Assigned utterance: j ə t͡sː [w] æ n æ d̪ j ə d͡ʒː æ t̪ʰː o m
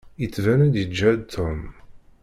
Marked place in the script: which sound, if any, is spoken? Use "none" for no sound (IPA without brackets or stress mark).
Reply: v